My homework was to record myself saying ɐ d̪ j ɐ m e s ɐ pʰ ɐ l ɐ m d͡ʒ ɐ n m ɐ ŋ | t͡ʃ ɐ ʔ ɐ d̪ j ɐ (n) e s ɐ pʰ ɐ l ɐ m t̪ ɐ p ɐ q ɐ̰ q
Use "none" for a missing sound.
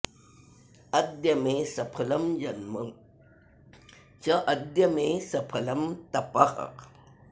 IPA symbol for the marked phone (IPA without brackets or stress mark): m